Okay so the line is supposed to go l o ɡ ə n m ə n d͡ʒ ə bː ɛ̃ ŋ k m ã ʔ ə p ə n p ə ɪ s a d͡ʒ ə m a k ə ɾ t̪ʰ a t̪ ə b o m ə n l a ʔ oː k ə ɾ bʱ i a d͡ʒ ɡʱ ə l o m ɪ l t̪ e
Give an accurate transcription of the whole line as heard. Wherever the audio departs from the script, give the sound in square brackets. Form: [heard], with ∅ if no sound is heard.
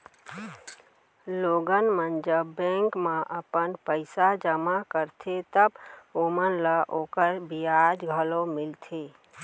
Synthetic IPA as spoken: l o ɡ ə n m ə n d͡ʒ ə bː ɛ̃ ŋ k m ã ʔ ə p ə n p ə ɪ s a d͡ʒ ə m a k ə ɾ t̪ʰ [e] t̪ ə b o m ə n l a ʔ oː k ə ɾ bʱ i a d͡ʒ ɡʱ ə l o m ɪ l [t̪ʰ] e

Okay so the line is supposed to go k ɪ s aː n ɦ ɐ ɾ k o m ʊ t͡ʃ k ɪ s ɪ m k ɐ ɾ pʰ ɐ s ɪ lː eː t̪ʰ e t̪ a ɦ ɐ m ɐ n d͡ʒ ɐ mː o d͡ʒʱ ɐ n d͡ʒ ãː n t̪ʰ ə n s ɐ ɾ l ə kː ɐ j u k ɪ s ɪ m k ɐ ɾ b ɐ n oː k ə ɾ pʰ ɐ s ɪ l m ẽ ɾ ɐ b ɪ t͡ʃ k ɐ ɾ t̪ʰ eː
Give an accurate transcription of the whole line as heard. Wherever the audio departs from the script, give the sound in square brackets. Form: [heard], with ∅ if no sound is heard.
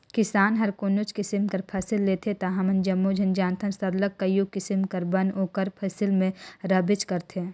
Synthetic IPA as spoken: k ɪ s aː n ɦ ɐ ɾ k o [n] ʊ t͡ʃ k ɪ s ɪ m k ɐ ɾ pʰ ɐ s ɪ lː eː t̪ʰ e t̪ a ɦ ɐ m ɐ n d͡ʒ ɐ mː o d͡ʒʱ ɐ n d͡ʒ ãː n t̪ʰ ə n s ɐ ɾ l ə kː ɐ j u k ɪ s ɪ m k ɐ ɾ b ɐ n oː k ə ɾ pʰ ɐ s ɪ l m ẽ ɾ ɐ b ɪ t͡ʃ k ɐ ɾ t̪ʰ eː

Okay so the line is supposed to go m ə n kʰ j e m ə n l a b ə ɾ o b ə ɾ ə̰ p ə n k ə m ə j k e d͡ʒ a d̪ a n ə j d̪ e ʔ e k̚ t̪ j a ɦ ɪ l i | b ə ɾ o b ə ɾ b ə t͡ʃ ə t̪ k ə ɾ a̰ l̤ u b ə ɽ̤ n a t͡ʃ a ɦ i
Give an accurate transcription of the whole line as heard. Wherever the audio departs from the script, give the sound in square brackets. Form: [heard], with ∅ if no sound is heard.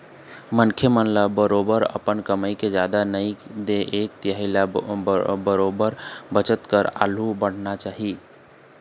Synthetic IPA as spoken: m ə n kʰ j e m ə n l a b ə ɾ o b ə ɾ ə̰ p ə n k ə m ə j k e d͡ʒ a d̪ a n ə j d̪ e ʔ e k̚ t̪ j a ɦ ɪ l [a] | b ə ɾ o b ə ɾ b ə t͡ʃ ə t̪ k ə ɾ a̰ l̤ u b ə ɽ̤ n a t͡ʃ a ɦ i

